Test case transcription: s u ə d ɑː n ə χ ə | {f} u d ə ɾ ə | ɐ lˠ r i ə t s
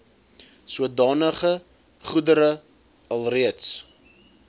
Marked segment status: incorrect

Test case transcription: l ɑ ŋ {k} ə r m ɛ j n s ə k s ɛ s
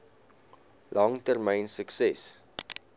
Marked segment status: incorrect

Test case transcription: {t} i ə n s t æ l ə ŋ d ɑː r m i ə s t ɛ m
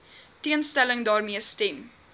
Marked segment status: correct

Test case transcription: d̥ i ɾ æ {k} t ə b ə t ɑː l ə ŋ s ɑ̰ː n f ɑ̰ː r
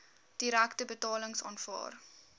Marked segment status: correct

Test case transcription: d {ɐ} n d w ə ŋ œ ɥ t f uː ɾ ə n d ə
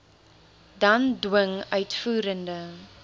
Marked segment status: correct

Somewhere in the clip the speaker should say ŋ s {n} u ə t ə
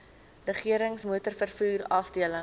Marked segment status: incorrect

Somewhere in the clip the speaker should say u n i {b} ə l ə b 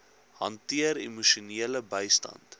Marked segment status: incorrect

